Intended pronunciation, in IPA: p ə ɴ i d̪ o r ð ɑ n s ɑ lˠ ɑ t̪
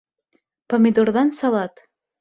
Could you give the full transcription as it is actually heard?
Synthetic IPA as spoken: p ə m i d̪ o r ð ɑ n s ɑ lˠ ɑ t̪